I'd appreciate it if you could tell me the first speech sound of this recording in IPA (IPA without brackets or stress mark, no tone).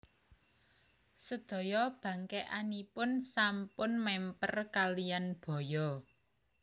s